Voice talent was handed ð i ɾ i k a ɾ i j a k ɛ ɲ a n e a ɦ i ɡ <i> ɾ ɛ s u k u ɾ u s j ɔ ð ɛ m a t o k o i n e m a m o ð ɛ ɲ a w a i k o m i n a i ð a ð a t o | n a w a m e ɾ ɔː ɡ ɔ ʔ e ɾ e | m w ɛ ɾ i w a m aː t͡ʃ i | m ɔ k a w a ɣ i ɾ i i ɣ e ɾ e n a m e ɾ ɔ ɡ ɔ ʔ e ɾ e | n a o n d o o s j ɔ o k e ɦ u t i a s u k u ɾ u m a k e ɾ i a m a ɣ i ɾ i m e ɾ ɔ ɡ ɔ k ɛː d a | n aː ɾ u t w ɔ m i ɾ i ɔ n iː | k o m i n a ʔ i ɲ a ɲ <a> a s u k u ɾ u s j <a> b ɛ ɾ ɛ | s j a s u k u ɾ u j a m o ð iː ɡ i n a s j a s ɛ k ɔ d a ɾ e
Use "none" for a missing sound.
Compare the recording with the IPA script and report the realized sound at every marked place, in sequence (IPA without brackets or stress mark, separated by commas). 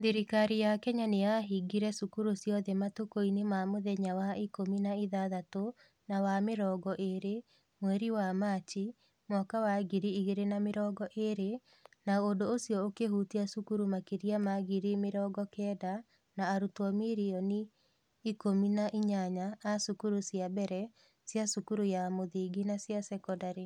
i, a, a